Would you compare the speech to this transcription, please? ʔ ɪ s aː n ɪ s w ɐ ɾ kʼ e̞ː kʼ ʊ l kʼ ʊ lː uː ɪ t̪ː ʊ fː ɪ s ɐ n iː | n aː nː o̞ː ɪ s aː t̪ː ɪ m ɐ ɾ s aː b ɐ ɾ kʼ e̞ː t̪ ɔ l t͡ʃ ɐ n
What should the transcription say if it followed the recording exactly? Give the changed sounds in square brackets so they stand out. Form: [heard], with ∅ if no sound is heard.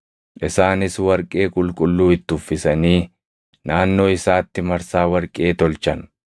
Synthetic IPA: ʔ ɪ s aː n ɪ s w ɐ ɾ kʼ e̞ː kʼ ʊ l kʼ ʊ lː uː ɪ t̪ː ʊ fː ɪ s ɐ n iː | n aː nː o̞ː ɪ s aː t̪ː ɪ m ɐ ɾ s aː [w] ɐ ɾ kʼ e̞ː t̪ ɔ l t͡ʃ ɐ n